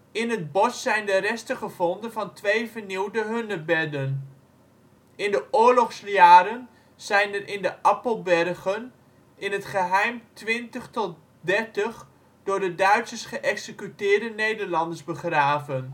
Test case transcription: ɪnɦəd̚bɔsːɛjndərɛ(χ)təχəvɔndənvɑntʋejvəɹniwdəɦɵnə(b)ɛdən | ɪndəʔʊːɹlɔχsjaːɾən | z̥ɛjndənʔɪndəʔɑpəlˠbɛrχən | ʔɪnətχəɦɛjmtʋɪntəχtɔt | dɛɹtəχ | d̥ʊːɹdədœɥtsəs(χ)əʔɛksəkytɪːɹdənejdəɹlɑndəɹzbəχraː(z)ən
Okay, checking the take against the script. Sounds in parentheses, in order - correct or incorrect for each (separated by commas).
incorrect, correct, correct, incorrect